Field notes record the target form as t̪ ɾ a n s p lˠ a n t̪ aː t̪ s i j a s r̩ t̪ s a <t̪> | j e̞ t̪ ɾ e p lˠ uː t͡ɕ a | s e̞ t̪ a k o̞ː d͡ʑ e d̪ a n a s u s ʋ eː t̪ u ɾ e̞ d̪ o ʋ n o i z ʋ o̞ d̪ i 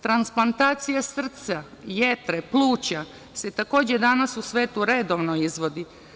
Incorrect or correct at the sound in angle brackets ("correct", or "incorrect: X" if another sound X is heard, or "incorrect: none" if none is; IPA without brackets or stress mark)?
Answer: incorrect: none